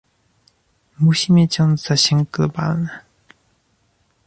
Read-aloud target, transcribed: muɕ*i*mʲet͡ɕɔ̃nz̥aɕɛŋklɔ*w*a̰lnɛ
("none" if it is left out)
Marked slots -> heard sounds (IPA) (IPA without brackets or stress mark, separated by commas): i, b